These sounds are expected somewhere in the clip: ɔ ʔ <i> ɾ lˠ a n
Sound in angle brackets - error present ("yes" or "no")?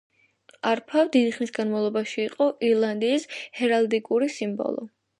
no